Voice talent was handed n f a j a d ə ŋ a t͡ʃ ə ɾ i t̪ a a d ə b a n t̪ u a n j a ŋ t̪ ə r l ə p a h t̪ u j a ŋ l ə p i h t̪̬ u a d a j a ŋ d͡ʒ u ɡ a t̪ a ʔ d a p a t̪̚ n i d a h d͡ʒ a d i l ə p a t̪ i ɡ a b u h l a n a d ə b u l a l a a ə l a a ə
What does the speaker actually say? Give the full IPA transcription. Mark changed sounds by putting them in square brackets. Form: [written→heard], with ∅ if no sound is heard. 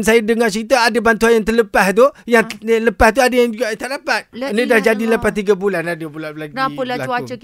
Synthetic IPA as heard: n [f→s] a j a d ə ŋ a t͡ʃ ə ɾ i t̪ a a d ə b a n t̪ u a n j a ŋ t̪ ə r l ə p a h t̪ u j a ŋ l ə p [i→a] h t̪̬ u a d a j a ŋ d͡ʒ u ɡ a t̪ a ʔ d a p a t̪̚ n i d a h d͡ʒ a d i l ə p a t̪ i ɡ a b u [h→∅] l a n a d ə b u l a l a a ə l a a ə